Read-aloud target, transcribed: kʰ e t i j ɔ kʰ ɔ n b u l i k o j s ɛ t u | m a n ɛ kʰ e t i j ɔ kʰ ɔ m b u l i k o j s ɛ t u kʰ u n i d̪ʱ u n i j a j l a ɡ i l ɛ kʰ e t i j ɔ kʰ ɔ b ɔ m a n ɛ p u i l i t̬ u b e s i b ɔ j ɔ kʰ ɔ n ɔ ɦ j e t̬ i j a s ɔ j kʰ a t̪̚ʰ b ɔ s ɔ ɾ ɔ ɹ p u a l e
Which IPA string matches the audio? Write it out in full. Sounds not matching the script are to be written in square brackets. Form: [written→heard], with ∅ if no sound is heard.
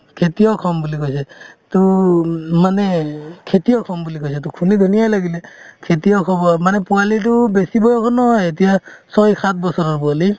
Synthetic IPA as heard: kʰ e t i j ɔ kʰ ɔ [n→m] b u l i k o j s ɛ t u | m a n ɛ kʰ e t i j ɔ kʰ ɔ m b u l i k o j s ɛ t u kʰ u n i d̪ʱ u n i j a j l a ɡ i l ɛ kʰ e t i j ɔ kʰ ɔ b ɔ m a n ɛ p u [i→a] l i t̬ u b e s i b ɔ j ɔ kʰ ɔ n ɔ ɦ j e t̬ i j a s ɔ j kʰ a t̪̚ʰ b ɔ s ɔ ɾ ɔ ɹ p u a l [e→i]